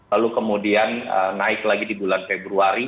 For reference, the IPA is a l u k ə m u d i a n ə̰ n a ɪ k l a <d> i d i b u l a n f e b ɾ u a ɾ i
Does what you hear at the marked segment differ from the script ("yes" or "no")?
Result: yes